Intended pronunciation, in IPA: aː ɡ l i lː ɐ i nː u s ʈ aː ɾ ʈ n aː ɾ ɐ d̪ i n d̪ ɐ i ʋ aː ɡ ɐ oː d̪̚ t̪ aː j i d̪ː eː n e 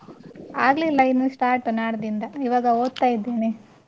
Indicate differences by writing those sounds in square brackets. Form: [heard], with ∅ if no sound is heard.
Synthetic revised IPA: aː ɡ l i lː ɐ i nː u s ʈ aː ɾ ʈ n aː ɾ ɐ d̪ i n d̪ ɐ i ʋ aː ɡ ɐ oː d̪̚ t̪ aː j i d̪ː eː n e